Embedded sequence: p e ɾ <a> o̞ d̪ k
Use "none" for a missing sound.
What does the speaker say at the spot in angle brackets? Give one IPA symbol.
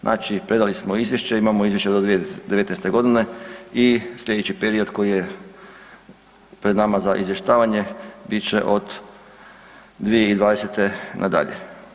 i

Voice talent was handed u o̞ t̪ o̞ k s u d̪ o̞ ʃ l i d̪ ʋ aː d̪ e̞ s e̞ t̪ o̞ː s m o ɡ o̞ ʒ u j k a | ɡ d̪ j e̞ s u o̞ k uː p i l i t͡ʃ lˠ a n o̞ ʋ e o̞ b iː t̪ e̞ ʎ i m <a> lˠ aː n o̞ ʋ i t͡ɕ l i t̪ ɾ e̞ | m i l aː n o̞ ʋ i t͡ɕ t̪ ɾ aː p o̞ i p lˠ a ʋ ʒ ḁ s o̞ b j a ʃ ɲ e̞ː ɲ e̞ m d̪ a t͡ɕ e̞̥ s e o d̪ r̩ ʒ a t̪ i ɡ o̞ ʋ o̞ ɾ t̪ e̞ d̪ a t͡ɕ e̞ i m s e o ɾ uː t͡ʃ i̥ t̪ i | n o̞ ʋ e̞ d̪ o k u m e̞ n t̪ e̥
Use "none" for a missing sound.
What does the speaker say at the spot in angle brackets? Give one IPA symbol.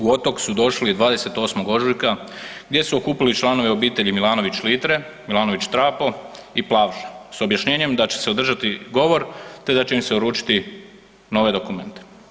i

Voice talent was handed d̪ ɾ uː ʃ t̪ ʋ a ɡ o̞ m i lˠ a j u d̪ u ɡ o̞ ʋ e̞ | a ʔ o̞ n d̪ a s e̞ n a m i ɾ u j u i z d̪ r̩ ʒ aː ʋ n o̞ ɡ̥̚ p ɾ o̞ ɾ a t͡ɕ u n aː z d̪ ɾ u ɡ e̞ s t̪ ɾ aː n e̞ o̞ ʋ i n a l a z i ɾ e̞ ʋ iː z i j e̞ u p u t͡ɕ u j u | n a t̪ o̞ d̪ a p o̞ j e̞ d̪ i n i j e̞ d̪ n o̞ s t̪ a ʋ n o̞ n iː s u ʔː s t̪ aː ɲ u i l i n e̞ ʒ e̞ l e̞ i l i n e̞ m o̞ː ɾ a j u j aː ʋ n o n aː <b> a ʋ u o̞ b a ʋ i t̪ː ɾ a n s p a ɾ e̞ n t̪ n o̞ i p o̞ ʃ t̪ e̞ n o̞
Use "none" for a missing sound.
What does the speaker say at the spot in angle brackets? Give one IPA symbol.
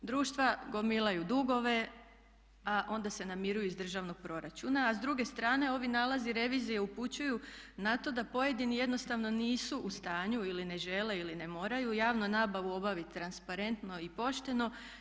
b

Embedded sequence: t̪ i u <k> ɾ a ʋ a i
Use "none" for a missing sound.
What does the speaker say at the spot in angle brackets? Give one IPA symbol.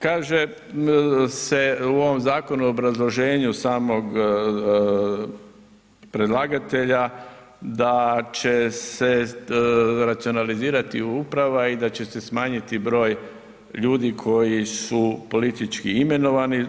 p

